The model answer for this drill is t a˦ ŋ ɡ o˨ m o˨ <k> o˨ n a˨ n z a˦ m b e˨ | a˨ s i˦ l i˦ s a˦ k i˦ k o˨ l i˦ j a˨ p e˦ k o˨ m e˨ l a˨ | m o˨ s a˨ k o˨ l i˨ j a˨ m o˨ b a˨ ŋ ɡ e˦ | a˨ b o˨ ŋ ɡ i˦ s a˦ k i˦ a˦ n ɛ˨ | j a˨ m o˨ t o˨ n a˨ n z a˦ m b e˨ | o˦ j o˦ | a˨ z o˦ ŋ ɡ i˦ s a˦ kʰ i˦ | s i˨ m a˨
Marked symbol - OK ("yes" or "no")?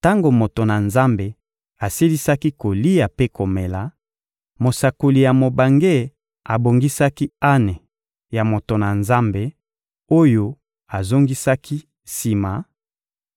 no